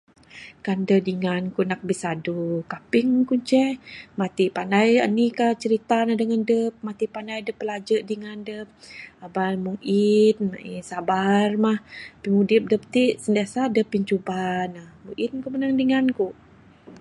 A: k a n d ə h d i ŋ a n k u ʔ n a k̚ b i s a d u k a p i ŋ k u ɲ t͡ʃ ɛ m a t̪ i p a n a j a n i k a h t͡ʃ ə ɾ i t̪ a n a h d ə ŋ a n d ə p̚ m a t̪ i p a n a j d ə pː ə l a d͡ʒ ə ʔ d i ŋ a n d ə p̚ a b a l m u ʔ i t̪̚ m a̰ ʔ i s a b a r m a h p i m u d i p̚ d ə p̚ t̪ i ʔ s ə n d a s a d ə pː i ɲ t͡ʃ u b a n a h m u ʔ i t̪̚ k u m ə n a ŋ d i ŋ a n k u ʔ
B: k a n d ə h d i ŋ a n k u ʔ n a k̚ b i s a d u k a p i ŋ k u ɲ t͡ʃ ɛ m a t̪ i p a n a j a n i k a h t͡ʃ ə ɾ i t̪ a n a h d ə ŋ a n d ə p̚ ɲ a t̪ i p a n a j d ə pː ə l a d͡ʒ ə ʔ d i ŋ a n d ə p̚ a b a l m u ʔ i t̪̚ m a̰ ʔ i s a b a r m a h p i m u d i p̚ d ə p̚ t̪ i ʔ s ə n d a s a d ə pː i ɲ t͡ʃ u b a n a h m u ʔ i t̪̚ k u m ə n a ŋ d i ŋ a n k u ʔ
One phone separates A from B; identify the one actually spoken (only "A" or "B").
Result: A